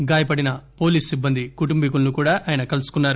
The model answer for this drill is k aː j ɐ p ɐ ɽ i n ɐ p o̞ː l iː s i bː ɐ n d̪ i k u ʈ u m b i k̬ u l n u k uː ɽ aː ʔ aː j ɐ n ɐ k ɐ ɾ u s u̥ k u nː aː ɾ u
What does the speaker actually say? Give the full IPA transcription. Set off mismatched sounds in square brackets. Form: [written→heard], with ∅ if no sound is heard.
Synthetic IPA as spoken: [k→ɡ] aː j ɐ p ɐ ɽ i n ɐ p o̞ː l iː s i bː ɐ n d̪ i k u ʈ u m b i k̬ u l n u k uː ɽ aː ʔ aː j ɐ n ɐ k ɐ [ɾ→l] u s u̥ k u nː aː ɾ u